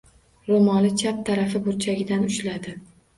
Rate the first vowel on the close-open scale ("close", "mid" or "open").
mid